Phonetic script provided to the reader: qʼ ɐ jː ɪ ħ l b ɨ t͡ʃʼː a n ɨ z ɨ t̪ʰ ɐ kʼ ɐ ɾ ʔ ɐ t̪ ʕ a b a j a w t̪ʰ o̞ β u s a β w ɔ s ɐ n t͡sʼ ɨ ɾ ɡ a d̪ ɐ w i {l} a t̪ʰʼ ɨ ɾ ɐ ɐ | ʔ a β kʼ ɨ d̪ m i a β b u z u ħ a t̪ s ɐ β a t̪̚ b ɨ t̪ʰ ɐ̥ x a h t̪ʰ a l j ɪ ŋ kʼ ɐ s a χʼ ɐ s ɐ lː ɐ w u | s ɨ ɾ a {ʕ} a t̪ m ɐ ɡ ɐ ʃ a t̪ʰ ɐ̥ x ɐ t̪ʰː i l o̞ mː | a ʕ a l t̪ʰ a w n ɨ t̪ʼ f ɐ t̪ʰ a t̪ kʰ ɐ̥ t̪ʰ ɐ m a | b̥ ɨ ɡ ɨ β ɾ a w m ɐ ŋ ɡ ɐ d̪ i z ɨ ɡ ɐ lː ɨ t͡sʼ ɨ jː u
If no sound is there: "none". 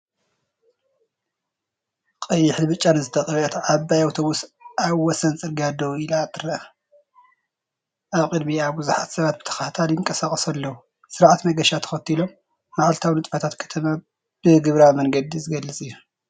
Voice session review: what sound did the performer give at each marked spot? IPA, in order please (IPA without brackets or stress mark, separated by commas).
l, ʕ